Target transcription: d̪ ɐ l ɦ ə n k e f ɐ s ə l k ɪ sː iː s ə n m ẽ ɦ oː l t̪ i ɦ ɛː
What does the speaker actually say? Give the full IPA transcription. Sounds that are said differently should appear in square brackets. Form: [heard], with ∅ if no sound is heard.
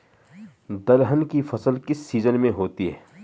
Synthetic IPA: d̪ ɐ l ɦ ə n k [i] f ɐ s ə l k ɪ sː iː [z] ə n m ẽ ɦ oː [∅] t̪ i ɦ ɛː